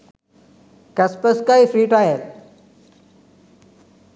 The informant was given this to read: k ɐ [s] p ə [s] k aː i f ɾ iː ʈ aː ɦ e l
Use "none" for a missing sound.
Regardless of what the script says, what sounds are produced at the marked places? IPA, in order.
s, s

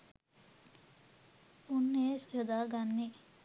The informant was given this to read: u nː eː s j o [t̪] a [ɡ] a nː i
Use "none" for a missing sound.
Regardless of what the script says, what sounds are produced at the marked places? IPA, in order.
d̪, ɡ

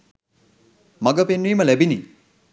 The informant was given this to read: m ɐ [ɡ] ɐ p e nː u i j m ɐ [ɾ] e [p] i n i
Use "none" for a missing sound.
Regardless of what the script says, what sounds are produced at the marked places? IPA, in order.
ɡ, l, b

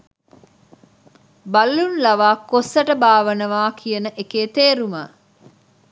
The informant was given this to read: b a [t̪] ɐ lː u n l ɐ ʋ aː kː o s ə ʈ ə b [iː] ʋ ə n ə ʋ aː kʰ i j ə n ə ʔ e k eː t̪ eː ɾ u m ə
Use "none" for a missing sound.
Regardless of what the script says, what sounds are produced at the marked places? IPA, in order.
none, aː

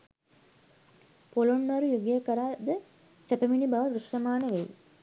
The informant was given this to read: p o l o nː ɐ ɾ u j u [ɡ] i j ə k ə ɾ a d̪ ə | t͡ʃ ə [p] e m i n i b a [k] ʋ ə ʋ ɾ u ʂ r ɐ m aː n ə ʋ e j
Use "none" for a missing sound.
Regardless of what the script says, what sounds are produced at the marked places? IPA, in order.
ɡ, p, none

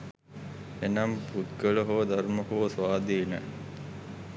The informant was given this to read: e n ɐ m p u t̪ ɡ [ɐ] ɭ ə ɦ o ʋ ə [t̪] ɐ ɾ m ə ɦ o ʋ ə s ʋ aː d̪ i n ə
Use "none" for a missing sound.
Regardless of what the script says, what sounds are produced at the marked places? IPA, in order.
ə, d̪

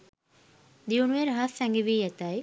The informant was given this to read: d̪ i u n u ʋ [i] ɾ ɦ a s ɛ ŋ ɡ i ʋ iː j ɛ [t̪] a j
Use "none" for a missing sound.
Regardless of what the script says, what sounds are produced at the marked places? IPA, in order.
e, t̪

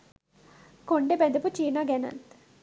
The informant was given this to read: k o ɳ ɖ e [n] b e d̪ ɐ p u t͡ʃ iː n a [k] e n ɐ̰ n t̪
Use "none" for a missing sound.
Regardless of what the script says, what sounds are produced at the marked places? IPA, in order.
none, ɡ

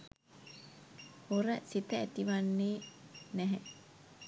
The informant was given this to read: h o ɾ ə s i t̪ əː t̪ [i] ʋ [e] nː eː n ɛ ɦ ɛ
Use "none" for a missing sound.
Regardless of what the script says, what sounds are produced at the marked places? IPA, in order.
i, a

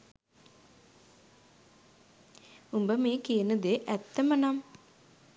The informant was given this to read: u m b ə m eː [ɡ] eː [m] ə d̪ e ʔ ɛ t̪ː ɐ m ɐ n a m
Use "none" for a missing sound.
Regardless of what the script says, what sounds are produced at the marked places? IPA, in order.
k, n

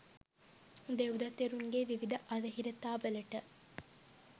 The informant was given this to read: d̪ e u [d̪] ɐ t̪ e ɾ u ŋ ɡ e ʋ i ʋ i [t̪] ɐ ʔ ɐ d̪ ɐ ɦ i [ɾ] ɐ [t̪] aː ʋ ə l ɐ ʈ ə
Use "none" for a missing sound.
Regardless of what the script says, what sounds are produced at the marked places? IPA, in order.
d̪, d̪, ɾ, t̪

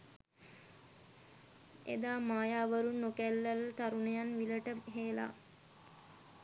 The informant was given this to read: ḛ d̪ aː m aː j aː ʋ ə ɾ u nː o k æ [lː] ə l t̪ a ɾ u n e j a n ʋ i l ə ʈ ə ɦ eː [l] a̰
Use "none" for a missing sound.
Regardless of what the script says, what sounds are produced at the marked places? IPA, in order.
lː, l

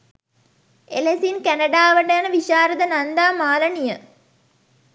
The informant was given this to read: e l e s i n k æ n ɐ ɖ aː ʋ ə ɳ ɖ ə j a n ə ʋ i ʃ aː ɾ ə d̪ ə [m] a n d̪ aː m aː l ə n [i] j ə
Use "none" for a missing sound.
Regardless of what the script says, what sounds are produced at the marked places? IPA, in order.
n, i

